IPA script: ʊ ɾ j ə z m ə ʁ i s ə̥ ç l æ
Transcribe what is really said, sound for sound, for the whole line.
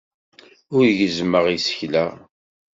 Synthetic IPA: ʊ ɾ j ə z m ə ʁ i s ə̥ ç l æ

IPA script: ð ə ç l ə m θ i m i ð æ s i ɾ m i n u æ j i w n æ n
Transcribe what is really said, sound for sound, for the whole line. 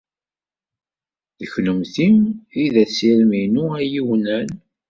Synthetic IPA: ð ə ç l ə m θ i m i ð æ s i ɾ m i n u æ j i w n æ n

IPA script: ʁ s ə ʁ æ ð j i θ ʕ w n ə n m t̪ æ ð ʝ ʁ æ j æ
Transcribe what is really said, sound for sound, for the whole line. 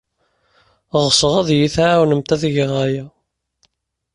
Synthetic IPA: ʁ s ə ʁ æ ð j i θ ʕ w n ə m t̪ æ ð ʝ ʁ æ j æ

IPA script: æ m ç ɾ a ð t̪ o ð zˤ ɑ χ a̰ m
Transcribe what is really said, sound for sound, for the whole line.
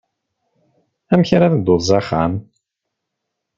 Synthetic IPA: æ m ç ɾ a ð d̪ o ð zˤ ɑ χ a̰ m

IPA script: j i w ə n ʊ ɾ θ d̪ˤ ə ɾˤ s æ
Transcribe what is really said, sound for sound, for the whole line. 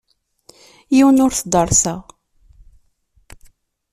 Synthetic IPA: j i w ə n ʊ ɾ θ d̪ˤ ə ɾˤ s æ

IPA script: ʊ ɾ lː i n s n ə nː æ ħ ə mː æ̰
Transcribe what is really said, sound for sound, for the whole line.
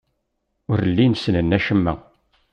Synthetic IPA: ʊ ɾ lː i n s n ə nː æ ʃ ə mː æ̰

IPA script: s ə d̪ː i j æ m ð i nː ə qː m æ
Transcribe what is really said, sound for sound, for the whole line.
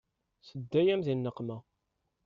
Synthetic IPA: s ə d̪ː æ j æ m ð i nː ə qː m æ

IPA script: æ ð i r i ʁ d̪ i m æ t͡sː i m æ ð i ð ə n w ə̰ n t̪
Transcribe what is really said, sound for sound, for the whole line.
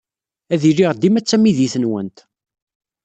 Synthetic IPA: æ ð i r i ʁ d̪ i m æ t͡sː æ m i ð i θ ə n w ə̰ n t̪

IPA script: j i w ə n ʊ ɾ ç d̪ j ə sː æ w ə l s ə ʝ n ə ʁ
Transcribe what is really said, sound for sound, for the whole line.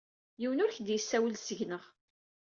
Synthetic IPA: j i w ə n ʊ ɾ ç d̪ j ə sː æ w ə l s ə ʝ n ə ʁ

